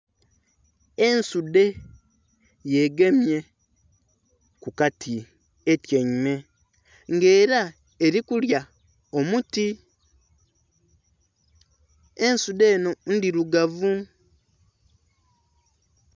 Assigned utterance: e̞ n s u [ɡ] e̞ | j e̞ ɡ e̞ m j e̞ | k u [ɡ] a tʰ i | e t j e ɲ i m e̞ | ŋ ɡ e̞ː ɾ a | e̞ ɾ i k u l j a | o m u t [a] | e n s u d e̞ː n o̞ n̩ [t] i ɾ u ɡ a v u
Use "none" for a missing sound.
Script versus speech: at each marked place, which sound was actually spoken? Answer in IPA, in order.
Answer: d, k, i, d

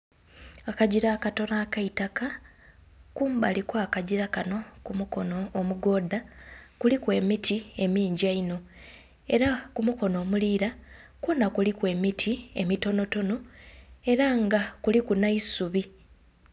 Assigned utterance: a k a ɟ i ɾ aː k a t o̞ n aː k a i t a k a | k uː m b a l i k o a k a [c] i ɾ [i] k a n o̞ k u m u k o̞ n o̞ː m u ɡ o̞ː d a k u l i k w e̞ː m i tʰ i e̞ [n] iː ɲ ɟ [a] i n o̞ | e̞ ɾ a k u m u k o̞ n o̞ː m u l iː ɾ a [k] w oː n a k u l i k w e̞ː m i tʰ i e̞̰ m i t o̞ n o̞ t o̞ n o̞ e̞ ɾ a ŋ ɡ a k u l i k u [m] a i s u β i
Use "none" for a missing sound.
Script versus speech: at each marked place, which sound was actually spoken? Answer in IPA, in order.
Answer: ɟ, a, m, a, k, n

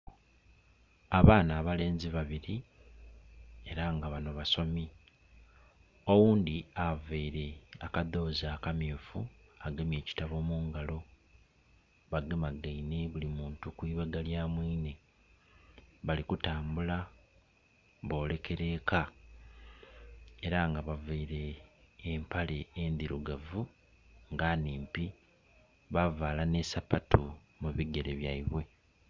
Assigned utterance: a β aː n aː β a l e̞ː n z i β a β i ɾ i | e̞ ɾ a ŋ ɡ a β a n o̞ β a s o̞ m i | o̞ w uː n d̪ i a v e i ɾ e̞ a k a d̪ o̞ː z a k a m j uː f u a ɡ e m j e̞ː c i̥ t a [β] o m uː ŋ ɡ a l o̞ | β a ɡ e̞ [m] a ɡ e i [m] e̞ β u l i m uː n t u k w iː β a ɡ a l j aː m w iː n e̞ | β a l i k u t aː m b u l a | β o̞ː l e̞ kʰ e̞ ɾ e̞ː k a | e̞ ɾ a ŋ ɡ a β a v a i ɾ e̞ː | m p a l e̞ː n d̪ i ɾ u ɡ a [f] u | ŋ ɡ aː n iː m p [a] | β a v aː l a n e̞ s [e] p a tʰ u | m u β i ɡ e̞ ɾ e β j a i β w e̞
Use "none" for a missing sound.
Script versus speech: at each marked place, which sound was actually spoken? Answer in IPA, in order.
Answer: β, m, n, v, i, a

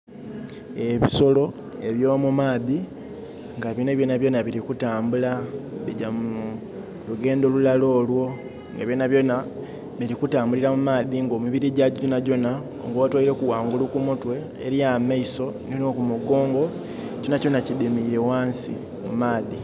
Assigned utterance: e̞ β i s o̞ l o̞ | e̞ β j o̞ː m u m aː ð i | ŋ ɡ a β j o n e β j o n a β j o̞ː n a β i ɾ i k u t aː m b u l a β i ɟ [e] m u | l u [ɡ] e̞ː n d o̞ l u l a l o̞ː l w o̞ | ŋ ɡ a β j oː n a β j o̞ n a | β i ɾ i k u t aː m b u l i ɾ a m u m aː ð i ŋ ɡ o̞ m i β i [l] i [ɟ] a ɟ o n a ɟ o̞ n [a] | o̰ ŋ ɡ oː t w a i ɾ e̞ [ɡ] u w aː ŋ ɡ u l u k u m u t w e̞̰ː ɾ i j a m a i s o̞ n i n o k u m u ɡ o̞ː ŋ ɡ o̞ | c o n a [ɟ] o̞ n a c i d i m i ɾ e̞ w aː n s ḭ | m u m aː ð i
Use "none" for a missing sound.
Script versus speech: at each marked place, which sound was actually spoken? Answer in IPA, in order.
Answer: a, ɡ, ɾ, ɟ, a, k, c

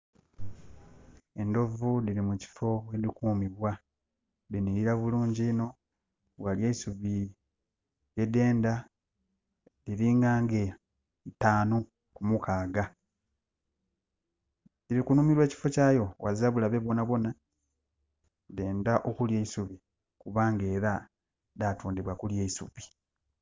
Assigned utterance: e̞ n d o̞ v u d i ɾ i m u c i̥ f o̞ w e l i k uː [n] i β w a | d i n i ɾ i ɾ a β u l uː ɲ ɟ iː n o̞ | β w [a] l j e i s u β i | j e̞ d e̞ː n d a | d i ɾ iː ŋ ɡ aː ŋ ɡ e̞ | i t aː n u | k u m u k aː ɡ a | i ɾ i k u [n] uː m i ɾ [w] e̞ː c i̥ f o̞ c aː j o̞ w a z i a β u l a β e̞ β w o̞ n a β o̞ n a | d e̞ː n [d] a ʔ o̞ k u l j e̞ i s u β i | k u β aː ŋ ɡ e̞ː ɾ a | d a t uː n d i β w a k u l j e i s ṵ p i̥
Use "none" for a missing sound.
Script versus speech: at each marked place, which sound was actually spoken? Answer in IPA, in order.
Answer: m, a, n, w, d

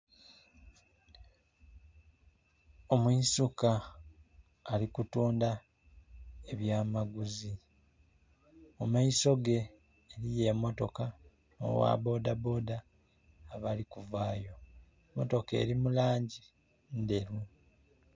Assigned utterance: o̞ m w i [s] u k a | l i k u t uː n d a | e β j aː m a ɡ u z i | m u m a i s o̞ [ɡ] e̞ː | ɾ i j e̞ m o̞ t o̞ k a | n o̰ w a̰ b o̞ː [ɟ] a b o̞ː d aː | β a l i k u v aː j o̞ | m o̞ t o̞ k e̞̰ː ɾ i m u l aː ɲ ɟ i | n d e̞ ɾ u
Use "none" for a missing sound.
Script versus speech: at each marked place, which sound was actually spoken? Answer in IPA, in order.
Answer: s, ɡ, d

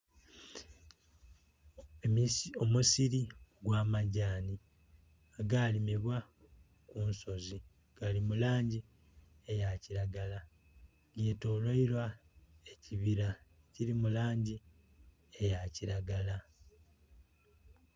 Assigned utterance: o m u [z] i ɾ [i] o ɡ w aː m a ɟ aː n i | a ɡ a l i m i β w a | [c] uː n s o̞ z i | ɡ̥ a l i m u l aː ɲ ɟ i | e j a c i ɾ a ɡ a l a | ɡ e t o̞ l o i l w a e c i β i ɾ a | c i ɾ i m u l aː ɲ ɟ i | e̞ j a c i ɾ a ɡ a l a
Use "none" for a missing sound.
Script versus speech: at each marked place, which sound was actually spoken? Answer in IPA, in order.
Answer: s, i, k

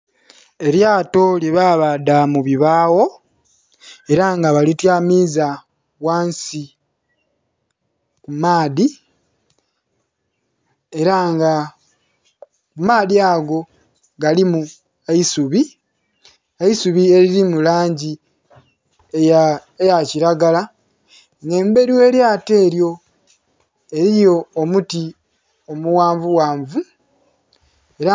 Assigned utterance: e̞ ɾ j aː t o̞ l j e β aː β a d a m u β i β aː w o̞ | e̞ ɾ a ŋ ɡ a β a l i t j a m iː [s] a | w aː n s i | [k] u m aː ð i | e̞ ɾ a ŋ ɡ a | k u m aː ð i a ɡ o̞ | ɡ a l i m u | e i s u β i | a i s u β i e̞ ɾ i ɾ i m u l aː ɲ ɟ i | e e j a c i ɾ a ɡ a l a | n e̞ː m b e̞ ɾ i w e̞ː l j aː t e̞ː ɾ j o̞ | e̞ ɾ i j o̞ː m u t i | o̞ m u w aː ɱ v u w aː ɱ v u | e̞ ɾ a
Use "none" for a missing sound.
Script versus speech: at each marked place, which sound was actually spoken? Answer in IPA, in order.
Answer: z, k

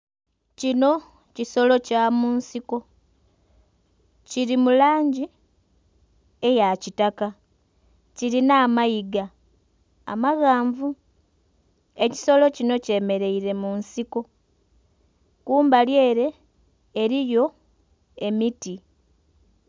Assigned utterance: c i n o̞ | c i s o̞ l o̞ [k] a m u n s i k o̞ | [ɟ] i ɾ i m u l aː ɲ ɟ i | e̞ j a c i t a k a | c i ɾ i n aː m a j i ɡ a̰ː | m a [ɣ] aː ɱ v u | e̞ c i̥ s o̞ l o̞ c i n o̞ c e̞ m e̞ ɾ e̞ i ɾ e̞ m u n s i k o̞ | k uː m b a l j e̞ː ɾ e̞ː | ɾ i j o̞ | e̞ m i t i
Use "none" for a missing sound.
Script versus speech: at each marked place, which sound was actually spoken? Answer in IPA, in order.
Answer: c, c, ɣ

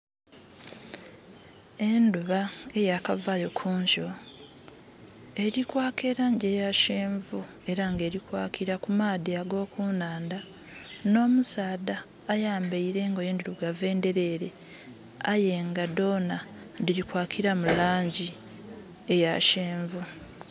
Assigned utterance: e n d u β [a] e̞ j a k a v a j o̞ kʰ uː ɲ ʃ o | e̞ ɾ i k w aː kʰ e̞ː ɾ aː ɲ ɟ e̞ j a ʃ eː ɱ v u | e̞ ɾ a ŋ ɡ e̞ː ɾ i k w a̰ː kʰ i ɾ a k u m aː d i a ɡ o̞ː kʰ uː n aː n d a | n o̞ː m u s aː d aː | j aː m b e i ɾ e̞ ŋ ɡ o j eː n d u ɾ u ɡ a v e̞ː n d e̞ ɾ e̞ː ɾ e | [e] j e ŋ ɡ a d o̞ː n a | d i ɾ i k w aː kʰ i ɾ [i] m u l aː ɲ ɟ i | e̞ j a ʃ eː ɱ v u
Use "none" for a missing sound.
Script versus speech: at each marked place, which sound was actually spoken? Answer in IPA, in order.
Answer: a, a, a

